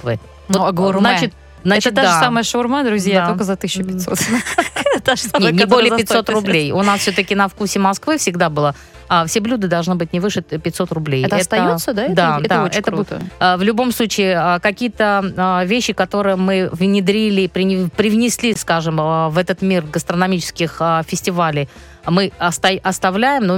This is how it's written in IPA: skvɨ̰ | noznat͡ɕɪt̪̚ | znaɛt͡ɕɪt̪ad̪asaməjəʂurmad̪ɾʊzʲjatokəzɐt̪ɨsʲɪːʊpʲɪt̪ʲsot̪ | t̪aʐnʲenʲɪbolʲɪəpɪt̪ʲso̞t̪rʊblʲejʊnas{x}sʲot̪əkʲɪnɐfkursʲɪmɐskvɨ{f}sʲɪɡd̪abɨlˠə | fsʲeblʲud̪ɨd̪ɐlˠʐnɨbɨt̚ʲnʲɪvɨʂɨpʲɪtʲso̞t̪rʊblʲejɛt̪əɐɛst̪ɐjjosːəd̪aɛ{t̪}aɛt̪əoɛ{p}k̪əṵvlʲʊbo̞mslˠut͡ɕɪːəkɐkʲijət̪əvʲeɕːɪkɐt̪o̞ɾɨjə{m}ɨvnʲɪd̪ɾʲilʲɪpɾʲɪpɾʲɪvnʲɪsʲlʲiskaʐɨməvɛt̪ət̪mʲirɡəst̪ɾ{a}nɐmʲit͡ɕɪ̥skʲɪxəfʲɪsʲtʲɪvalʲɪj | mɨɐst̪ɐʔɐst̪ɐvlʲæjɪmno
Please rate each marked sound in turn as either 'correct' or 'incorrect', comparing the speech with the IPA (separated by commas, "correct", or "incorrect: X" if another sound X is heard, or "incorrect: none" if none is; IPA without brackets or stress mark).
incorrect: f, correct, incorrect: d̪, incorrect: t, correct, incorrect: ə